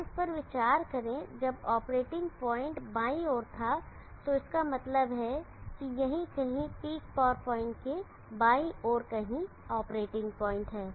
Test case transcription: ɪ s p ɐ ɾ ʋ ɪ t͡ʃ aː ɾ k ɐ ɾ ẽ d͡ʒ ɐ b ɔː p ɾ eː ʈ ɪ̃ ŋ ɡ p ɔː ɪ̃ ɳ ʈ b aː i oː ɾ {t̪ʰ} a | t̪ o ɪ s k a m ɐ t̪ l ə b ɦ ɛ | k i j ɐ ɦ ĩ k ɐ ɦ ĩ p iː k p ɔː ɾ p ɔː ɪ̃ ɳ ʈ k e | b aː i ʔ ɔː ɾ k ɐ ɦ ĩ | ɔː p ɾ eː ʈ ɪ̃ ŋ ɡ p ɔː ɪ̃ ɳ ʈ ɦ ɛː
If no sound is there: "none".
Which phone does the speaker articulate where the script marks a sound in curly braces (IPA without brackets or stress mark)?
t̪ʰ